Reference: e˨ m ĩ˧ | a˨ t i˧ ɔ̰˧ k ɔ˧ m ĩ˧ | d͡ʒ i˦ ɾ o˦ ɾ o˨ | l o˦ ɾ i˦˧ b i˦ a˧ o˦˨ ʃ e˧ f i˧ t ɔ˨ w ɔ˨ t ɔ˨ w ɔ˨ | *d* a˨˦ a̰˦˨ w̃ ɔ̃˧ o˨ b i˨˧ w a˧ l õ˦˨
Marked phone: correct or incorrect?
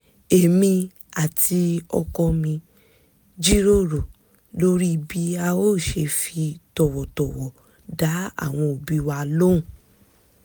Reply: correct